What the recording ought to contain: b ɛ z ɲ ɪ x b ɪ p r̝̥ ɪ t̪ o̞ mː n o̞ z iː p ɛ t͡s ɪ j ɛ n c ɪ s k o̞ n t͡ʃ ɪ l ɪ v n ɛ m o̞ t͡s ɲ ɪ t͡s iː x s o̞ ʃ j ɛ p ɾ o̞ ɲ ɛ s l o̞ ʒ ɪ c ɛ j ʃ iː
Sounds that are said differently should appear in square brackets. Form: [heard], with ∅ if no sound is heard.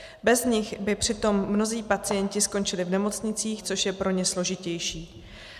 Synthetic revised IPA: b ɛ z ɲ ɪ x b ɪ p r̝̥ ɪ t̪ o̞ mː n o̞ z iː p [a] t͡s ɪ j ɛ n c ɪ s k o̞ n t͡ʃ ɪ l ɪ v n ɛ m o̞ t͡s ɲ ɪ t͡s iː x [t͡s] o̞ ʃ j ɛ p ɾ o̞ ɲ ɛ s l o̞ ʒ ɪ c ɛ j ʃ iː